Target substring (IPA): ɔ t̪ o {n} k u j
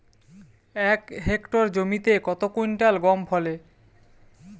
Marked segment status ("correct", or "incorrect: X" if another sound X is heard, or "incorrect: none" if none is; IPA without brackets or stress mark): incorrect: none